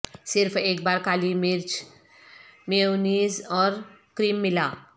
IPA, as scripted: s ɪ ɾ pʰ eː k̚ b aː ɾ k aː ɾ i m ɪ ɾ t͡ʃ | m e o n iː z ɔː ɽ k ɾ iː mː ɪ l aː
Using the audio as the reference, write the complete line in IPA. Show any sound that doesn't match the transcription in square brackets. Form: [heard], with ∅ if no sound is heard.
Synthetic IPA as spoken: s ɪ ɾ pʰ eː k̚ b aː ɾ k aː [l] i m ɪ ɾ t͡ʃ | m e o n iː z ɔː [ɾ] k ɾ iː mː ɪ l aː